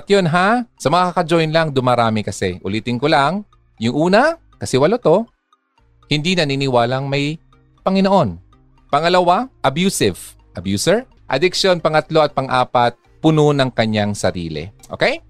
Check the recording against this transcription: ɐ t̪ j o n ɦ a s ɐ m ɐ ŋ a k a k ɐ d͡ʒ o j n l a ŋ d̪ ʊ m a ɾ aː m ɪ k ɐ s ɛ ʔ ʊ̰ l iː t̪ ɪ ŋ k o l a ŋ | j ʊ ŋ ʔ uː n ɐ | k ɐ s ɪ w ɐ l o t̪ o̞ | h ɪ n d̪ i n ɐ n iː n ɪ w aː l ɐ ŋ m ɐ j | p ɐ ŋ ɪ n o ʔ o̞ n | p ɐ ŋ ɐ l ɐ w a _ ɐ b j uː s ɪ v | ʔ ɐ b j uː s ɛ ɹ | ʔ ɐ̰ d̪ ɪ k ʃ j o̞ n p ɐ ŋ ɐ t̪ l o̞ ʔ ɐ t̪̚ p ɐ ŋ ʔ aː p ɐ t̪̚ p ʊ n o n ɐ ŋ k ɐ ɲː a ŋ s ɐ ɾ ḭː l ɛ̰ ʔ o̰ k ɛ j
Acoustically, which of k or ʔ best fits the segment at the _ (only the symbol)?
ʔ